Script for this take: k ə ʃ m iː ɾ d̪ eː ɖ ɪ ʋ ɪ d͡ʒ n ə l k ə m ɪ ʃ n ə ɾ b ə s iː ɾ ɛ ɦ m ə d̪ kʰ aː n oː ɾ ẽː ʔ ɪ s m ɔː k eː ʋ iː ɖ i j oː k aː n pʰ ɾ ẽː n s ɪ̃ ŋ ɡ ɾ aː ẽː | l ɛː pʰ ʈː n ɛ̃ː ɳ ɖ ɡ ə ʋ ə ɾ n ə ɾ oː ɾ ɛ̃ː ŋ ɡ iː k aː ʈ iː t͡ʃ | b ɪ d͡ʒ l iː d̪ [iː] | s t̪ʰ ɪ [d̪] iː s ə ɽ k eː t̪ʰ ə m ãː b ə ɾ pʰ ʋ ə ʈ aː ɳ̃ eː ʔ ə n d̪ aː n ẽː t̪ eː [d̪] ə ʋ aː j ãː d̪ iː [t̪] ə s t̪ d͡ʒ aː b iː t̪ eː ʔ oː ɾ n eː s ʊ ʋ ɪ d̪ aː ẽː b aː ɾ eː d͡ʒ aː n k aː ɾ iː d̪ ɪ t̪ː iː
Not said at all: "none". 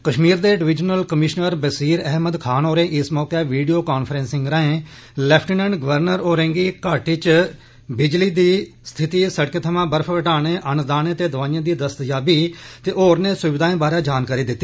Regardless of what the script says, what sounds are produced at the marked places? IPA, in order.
iː, t̪, d̪, d̪

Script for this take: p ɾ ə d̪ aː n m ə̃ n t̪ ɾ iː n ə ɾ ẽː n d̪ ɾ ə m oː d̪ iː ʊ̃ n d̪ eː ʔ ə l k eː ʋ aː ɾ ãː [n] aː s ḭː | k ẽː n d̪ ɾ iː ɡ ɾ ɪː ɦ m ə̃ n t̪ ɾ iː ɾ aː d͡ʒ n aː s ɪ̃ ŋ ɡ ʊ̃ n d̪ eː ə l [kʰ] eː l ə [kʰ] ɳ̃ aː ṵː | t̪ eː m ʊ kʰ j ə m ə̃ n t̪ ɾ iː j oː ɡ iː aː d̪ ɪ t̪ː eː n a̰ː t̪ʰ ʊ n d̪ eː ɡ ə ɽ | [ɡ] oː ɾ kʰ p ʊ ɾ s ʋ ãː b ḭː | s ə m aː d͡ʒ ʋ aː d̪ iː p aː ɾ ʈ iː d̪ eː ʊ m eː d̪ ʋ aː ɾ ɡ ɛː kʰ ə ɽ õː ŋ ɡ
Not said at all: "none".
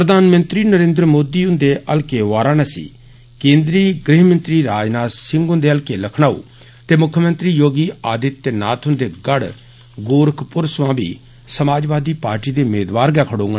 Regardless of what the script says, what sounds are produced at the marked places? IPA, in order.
n, k, kʰ, ɡ

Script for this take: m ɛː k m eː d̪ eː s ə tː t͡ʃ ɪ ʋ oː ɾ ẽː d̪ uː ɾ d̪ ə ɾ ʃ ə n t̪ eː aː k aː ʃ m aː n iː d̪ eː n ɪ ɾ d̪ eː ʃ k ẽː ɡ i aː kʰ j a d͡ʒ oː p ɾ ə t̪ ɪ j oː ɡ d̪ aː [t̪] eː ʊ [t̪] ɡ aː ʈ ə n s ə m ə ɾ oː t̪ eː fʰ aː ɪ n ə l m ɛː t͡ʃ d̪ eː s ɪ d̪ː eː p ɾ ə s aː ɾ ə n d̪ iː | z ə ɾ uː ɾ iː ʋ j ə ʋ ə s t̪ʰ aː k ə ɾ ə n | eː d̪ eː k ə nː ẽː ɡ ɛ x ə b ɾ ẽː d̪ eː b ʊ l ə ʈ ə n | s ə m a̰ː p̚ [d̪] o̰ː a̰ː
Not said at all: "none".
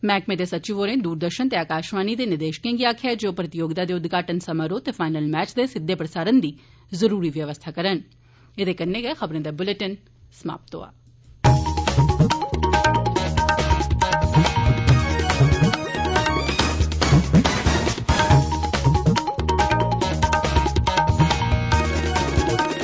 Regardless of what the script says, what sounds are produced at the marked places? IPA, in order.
d̪, d̪, t̪

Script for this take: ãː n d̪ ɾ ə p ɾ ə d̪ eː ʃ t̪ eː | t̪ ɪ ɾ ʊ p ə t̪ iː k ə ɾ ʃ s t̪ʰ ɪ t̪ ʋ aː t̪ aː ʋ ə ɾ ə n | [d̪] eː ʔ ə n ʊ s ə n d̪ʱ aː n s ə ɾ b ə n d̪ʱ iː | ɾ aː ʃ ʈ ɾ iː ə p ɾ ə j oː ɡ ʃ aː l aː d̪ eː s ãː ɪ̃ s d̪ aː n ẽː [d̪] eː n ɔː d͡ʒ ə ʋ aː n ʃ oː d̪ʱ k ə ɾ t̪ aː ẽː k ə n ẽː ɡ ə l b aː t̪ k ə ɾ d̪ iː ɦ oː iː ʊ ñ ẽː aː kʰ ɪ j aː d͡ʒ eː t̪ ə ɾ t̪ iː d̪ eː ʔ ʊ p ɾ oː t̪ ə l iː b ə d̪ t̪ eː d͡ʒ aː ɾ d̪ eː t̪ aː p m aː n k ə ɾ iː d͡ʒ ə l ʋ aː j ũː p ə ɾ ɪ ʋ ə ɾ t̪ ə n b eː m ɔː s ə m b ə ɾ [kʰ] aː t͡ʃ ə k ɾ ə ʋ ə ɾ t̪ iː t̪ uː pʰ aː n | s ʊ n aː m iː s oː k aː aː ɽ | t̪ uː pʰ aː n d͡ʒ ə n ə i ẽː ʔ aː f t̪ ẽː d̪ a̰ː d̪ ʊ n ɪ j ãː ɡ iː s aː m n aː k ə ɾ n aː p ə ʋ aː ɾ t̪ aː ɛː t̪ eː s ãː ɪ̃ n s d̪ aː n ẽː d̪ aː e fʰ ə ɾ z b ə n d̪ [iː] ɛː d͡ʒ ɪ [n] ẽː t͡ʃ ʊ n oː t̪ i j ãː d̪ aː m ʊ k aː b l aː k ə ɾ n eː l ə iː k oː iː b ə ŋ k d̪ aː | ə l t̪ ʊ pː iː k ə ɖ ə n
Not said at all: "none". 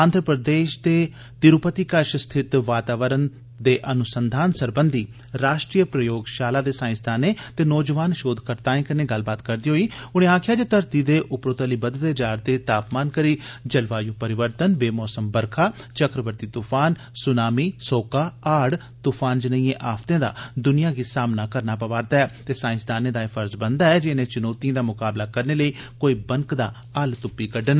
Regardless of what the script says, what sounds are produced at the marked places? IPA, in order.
d̪, t̪, kʰ, aː, n

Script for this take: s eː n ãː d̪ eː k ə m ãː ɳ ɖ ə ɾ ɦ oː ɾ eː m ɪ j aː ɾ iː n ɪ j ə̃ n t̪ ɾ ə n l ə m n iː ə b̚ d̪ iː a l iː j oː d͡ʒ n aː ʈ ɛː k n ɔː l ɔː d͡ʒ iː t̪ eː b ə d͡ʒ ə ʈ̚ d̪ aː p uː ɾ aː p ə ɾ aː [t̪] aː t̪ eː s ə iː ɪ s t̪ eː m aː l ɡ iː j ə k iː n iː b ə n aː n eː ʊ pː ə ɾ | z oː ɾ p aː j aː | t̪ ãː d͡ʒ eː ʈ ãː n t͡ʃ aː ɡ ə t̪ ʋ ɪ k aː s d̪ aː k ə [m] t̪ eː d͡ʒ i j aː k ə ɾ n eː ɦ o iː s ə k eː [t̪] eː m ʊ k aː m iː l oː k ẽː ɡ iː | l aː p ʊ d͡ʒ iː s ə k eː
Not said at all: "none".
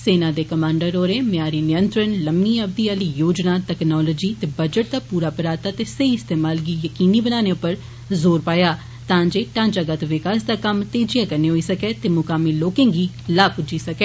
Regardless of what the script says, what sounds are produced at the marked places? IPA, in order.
t̪, m, t̪

